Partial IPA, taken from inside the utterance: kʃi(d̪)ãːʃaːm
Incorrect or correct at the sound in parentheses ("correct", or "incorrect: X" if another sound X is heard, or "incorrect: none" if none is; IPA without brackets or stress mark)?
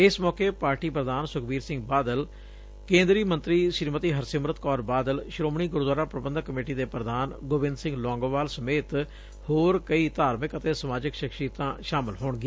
incorrect: t̪